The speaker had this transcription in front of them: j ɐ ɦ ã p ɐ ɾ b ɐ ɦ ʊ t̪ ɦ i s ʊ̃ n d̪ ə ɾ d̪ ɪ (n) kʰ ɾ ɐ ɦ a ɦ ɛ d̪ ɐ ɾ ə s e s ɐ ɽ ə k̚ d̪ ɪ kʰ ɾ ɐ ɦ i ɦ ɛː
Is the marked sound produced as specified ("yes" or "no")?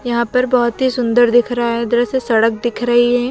no